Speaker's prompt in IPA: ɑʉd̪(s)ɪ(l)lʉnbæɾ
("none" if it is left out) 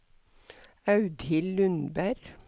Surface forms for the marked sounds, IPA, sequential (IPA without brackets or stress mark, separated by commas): h, l